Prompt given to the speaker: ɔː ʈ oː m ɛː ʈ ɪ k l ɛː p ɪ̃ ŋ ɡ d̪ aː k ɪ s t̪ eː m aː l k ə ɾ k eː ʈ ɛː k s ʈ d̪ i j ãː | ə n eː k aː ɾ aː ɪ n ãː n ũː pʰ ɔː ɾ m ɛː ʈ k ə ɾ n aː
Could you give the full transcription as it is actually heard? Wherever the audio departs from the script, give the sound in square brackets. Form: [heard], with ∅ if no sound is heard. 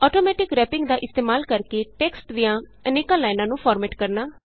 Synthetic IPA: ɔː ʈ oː m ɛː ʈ ɪ k [ɾ] ɛː p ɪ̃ ŋ ɡ d̪ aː [ʔ] ɪ s t̪ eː m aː l k ə ɾ k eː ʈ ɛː k s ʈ d̪ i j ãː | ə n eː k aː [l] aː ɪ n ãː n ũː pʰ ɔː ɾ m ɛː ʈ k ə ɾ n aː